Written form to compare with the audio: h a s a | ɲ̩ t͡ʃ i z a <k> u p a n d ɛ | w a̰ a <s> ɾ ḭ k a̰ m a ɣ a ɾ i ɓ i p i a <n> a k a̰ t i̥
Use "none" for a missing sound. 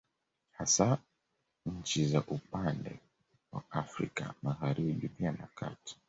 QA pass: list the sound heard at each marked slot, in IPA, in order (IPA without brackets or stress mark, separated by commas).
ʔ, f, n